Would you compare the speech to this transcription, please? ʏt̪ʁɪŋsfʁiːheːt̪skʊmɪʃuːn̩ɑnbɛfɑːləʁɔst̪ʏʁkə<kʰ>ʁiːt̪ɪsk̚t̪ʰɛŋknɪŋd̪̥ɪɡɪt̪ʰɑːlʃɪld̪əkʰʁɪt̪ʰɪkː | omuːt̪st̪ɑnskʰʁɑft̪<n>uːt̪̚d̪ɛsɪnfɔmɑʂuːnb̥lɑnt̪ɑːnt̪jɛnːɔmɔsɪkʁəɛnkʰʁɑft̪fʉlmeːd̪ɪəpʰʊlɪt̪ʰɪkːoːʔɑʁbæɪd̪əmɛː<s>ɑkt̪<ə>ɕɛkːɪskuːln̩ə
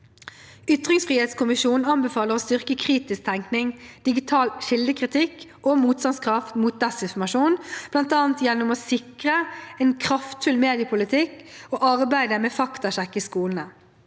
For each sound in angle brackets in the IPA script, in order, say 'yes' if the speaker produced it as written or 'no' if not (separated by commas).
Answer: yes, no, no, no